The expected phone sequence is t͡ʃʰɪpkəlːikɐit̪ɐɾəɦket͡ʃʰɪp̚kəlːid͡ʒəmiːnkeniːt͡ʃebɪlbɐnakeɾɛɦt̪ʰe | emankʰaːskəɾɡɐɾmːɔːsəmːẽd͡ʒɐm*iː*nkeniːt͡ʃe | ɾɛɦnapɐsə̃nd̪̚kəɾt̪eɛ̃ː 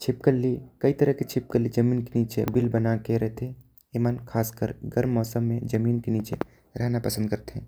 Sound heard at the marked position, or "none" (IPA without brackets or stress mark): iː